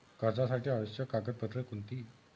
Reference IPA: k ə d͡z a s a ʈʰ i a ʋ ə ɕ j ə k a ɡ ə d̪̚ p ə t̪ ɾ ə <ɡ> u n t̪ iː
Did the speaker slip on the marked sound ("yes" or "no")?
yes